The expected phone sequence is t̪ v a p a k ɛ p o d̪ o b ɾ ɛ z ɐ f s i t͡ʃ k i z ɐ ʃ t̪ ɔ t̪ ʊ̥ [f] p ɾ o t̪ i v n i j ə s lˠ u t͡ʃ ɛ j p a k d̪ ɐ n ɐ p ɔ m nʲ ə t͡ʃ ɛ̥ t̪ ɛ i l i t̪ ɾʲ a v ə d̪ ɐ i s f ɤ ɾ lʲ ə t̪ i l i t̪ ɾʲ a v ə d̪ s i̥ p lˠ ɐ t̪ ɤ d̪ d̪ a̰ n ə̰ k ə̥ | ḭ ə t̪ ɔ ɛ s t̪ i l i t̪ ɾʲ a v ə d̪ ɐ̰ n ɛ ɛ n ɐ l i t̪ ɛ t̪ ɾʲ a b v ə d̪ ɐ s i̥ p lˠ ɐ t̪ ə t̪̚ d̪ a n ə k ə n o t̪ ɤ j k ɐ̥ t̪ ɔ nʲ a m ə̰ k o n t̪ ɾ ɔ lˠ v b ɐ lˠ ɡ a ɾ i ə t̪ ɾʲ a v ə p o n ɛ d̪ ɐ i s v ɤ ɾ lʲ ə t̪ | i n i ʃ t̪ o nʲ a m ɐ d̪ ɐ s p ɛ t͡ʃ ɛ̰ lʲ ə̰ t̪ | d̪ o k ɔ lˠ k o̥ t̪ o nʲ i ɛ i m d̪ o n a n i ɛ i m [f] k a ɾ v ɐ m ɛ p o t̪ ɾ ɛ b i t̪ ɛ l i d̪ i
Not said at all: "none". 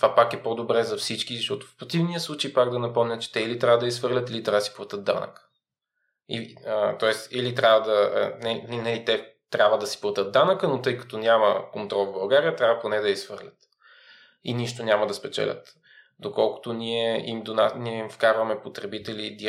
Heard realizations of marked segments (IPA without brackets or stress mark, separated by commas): f, f